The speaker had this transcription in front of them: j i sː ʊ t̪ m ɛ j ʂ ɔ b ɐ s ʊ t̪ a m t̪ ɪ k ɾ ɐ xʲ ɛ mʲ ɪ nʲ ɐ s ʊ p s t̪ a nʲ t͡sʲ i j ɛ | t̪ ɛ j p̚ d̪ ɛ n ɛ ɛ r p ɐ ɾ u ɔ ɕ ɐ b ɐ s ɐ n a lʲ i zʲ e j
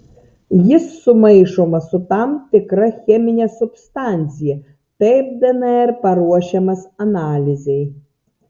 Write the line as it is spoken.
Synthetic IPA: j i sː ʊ m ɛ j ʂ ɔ m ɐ s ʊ t̪ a m t̪ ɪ k ɾ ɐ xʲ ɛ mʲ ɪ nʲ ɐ s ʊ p s t̪ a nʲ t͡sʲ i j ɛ | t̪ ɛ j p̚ d̪ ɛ n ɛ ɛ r p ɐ ɾ u ɔ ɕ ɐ m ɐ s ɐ n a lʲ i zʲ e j